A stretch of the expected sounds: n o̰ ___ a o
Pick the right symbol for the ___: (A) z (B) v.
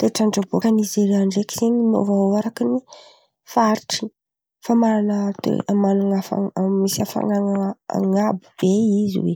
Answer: B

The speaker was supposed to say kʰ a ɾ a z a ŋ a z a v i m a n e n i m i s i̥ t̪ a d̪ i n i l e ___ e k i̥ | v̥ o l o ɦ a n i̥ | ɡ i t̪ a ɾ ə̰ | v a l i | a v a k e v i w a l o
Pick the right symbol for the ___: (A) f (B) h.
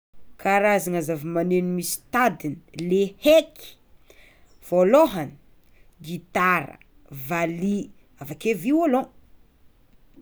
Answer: B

